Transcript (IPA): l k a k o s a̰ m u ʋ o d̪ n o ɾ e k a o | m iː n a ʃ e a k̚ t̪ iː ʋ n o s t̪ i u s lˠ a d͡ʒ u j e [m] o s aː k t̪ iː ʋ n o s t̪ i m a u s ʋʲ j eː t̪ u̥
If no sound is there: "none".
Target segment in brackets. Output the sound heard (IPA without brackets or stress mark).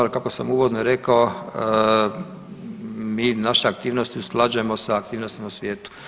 m